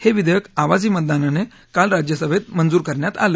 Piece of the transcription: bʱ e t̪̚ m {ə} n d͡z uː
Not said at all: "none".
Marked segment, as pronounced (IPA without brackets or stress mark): ə